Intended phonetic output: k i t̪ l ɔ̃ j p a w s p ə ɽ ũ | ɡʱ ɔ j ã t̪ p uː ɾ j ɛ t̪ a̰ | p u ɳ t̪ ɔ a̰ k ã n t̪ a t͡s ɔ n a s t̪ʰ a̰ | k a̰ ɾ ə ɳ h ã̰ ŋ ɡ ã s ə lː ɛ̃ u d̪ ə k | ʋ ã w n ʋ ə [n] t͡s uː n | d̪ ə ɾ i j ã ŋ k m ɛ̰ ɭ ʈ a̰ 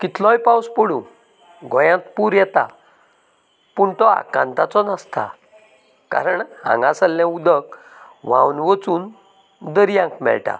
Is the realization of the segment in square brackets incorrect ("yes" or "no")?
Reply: yes